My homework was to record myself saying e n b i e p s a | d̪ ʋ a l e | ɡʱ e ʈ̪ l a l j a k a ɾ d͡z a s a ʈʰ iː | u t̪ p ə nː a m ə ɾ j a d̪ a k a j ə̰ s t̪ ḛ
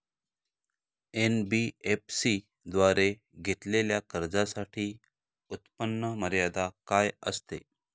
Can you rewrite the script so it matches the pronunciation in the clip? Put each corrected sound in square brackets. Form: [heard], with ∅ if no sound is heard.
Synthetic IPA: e n b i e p s [i] | d̪ ʋ a [ɾ] e | ɡʱ e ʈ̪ l [e] l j a k [ə] ɾ d͡z a s a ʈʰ iː | u t̪ p ə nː [ə] m ə ɾ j a d̪ a k a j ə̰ s t̪ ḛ